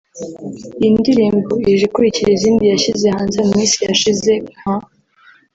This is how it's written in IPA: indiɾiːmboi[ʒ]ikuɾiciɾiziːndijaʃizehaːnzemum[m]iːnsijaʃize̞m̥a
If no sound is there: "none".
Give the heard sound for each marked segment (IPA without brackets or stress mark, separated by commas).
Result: ʒ, m